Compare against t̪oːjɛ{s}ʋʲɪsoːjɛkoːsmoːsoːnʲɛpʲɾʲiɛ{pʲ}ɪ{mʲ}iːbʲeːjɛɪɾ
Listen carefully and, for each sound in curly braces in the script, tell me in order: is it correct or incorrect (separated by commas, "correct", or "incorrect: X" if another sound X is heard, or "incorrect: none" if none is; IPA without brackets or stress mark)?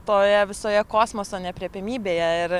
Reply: incorrect: none, correct, correct